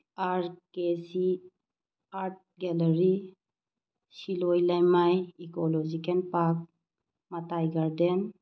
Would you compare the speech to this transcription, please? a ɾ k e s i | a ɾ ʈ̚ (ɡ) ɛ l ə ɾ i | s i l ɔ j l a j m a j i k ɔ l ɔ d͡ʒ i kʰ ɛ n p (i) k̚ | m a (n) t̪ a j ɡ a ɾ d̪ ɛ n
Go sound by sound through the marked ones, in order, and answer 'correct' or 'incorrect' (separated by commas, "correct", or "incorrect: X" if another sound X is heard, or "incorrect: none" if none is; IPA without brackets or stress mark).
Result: correct, incorrect: a, incorrect: none